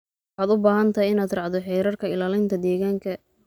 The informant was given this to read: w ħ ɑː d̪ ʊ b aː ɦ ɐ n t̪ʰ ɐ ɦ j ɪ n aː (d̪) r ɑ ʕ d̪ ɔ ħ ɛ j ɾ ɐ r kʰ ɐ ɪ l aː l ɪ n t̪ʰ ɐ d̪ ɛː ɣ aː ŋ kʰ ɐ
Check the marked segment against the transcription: correct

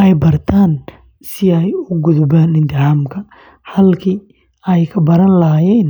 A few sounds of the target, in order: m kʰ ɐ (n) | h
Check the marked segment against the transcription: incorrect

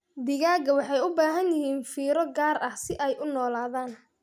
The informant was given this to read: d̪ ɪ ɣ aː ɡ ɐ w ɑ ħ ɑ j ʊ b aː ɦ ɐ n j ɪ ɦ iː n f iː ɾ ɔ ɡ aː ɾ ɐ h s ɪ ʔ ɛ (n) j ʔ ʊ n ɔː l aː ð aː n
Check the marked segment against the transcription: incorrect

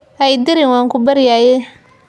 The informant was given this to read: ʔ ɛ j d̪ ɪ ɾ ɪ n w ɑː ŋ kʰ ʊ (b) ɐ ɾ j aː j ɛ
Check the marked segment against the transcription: correct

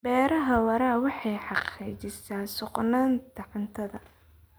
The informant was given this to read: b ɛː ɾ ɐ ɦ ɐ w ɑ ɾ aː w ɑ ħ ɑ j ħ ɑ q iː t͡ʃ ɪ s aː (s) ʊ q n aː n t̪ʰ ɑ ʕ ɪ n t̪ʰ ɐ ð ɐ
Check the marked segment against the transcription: correct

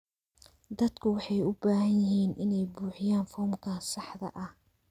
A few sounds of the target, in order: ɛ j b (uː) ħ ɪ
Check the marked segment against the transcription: correct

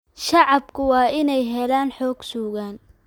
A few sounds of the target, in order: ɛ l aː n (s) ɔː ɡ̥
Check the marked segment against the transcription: incorrect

